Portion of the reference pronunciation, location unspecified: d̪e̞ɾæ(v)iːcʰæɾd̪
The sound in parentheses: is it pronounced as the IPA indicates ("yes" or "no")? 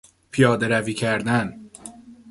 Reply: yes